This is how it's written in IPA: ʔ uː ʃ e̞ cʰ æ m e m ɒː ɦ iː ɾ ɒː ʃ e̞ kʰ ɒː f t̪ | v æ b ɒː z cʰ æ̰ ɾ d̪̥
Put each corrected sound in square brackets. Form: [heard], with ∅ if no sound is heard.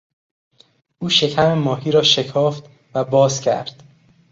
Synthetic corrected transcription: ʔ uː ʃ e̞ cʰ æ m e m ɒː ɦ iː ɾ ɒː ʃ e̞ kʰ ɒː f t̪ | v æ b ɒː z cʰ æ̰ ɾ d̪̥